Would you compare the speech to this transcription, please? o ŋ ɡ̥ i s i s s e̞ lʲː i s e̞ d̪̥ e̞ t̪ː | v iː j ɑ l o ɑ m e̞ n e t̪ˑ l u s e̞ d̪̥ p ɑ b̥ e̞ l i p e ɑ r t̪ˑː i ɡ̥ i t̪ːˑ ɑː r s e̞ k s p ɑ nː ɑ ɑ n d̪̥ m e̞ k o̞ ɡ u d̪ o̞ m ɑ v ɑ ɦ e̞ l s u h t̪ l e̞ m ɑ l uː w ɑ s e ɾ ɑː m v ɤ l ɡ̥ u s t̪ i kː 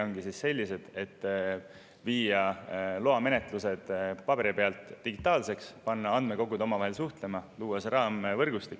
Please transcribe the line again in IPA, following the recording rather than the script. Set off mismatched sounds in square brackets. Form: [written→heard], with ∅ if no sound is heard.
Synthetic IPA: o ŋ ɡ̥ i s i s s e̞ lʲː i s e̞ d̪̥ e̞ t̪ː | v iː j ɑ l o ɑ m e̞ n e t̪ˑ l u s e̞ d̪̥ p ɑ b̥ e̞ [l→ɾ] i p e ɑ [r→l] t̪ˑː i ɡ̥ i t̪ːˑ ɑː [r→l] s e̞ k s p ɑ nː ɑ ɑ n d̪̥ m e̞ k o̞ ɡ u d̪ o̞ m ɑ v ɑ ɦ e̞ l s u h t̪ l e̞ m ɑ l uː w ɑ s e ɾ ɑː m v ɤ [l→r] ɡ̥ u s t̪ i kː

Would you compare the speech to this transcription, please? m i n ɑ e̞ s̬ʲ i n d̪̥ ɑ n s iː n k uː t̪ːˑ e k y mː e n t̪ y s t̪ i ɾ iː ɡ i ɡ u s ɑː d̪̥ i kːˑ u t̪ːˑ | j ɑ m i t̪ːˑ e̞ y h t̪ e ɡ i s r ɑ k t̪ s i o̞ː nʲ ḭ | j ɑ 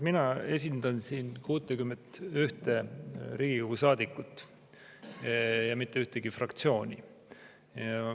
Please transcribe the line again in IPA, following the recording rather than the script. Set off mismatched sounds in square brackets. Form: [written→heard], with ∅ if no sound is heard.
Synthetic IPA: m i n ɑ e̞ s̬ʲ i n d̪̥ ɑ n s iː n k uː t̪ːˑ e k y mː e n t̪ y [s→h] t̪ [i→e] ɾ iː ɡ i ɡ u s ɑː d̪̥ i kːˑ u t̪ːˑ | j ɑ m i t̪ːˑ e̞ y h t̪ e ɡ i [s→f] r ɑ k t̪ s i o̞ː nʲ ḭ | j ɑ

